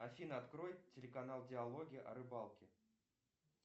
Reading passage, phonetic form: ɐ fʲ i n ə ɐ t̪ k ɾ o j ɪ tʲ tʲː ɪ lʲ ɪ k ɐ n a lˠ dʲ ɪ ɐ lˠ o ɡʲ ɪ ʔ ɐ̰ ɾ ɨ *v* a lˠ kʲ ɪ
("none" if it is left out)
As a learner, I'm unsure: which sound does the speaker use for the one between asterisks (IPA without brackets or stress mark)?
b